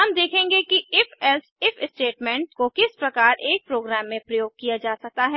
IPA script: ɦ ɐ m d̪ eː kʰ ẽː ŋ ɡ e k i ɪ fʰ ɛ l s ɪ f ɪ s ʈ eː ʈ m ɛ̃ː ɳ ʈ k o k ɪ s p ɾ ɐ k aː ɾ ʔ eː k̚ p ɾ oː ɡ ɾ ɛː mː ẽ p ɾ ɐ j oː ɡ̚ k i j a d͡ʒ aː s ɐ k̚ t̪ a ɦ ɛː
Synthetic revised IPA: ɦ ɐ m d̪ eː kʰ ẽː ŋ ɡ e k i ɪ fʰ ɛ l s ɪ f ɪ s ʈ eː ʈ m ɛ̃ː ɳ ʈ k o k ɪ s p ɾ ɐ k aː ɾ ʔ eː k̚ p ɾ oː ɡ ɾ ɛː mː ẽ p ɾ ɐ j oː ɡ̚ k i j a d͡ʒ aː s ɐ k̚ t̪ a ɦ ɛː